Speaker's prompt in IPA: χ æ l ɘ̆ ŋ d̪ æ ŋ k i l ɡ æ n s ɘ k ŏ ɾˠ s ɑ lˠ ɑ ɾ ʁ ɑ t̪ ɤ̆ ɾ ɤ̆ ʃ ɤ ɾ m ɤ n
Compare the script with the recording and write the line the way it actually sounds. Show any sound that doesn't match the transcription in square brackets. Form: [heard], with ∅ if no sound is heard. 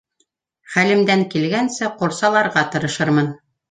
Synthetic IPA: χ æ l ɘ̆ [m] d̪ æ ŋ k i l ɡ æ n s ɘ [q] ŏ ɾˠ s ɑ lˠ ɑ ɾ ʁ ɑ t̪ ɤ̆ ɾ ɤ̆ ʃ ɤ ɾ m ɤ n